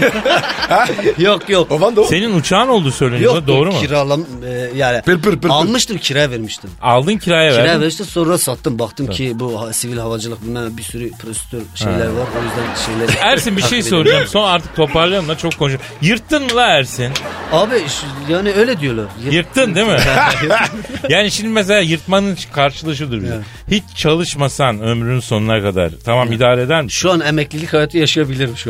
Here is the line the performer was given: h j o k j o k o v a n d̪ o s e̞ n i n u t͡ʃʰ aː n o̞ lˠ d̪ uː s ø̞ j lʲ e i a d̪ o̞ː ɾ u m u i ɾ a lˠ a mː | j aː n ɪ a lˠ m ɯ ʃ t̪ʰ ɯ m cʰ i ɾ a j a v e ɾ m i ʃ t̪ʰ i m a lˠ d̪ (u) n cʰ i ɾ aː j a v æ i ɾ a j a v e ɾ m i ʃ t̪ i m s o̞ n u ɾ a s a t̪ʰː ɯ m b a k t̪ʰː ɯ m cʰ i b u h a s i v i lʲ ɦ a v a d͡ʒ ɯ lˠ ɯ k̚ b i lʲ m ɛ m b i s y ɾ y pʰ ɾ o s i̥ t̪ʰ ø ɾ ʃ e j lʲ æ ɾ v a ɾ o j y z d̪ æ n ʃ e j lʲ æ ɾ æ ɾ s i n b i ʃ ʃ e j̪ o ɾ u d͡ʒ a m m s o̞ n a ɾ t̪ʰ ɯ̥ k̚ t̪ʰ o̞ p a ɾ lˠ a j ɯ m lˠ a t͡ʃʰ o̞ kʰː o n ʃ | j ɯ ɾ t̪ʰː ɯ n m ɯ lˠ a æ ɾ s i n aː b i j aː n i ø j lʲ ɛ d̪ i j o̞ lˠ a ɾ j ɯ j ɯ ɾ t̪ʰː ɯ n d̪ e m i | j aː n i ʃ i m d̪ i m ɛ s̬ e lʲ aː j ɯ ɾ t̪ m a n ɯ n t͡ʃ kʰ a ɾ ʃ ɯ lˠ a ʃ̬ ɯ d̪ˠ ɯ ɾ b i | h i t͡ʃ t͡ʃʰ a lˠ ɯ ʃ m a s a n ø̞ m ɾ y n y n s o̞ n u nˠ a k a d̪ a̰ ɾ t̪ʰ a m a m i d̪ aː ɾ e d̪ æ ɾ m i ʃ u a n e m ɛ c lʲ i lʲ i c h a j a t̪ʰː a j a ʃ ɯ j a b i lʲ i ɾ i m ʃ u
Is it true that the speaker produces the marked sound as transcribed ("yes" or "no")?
no